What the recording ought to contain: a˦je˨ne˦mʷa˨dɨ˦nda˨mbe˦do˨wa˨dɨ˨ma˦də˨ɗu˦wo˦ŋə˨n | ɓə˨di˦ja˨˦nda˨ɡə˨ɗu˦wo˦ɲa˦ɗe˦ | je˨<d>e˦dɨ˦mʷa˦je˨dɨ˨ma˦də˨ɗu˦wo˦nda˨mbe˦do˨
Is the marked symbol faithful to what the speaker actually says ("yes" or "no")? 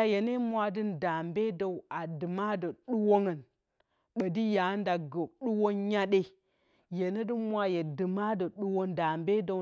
no